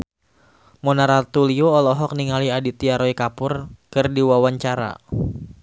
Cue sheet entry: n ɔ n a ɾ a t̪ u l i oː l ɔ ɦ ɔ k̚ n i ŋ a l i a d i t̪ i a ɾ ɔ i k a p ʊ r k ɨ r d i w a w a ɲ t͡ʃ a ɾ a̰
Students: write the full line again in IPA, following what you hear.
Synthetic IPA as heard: m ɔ n a ɾ a t̪ u l i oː l ɔ ɦ ɔ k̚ n i ŋ a l i a d i t̪ i a ɾ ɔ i k a p ʊ r k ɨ r d i w a w a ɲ t͡ʃ a ɾ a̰